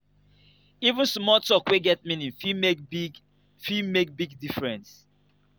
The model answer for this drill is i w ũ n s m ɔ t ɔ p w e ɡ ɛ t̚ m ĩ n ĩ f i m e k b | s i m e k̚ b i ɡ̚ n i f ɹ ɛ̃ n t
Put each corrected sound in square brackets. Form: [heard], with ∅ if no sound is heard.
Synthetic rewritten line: i [v] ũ n s m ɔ t ɔ [k] w e ɡ ɛ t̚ m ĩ n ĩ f i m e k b | [f] i m e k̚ b i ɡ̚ [d] i f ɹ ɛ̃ n [s]

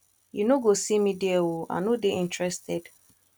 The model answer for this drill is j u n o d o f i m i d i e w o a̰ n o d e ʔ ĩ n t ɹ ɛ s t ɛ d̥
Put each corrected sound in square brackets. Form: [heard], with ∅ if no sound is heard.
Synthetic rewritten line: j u n o [ɡ] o [s] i m i d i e w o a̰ n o d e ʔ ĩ n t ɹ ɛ s t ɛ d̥

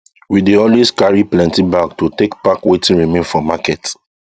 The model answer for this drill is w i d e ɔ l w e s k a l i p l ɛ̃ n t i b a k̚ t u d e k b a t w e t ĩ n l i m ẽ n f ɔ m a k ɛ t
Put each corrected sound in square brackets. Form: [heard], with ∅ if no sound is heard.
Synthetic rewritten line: w i d e ɔ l w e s k a [ɹ] i p l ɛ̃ n t i b a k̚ t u [t] e k [p] a [k] w e t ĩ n [ɹ] i m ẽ n f ɔ m a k ɛ t

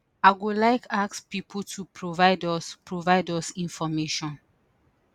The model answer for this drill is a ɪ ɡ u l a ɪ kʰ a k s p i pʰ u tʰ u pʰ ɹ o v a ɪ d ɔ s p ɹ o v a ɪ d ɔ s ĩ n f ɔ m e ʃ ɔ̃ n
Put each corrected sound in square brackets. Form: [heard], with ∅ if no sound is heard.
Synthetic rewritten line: a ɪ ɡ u l a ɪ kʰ a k s p i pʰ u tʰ u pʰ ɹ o v a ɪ d ɔ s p ɹ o v a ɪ d ɔ s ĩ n f ɔ m e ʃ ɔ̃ n

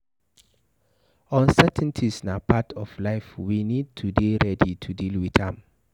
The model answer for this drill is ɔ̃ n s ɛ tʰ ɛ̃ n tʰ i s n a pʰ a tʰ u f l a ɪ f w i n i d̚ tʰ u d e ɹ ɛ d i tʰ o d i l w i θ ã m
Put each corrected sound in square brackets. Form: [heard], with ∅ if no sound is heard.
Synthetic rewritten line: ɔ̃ n s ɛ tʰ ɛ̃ n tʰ i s n a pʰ a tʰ [ɔ] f l a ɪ f w i n i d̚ tʰ u d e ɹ ɛ d i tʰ [u] d i l w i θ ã m

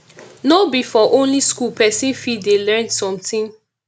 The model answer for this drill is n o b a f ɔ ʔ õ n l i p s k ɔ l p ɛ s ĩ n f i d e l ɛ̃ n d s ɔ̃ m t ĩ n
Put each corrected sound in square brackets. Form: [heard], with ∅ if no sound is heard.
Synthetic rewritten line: n o b [i] f ɔ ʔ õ n l i [∅] s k [u] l p ɛ s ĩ n f i d e l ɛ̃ n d s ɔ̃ m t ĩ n

